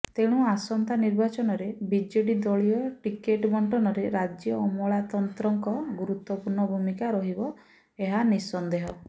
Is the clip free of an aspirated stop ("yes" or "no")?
yes